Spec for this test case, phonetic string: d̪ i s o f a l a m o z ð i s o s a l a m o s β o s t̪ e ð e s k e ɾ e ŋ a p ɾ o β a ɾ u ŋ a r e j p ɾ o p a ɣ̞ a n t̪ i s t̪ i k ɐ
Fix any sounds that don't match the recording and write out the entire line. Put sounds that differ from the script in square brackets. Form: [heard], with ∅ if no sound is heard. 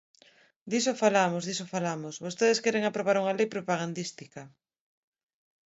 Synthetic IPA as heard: d̪ i s o f a l a m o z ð i s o [f] a l a m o s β o s t̪ e ð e s k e ɾ e ŋ a p ɾ o β a ɾ u ŋ a [l] e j p ɾ o p a ɣ̞ a n [d̪] i s t̪ i k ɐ